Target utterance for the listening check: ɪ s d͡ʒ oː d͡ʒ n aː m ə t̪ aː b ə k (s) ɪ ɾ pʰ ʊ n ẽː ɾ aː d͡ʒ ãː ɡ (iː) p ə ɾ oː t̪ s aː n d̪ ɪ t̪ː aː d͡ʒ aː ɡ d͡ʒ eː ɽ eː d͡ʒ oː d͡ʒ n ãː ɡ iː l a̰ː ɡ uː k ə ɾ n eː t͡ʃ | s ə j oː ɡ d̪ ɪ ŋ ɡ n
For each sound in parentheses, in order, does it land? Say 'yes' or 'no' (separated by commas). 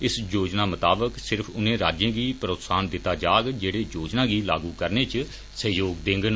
yes, yes